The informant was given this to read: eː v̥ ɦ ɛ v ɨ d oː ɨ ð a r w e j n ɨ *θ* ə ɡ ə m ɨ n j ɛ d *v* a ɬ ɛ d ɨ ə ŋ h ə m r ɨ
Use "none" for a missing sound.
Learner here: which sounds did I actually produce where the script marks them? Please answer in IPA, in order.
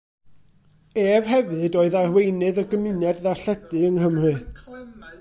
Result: ð, ð

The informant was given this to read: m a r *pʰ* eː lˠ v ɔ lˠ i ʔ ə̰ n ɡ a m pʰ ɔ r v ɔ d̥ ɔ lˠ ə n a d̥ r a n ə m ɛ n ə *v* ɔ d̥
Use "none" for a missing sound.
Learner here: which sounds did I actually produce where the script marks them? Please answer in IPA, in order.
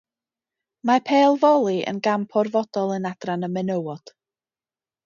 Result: pʰ, w

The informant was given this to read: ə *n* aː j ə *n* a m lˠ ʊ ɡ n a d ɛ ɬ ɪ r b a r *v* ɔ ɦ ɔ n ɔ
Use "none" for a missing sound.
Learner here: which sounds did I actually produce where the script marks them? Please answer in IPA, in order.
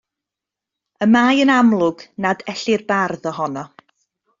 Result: m, n, ð

